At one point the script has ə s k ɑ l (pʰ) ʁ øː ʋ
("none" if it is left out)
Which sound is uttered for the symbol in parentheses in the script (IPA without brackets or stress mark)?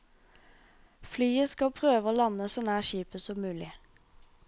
pʰ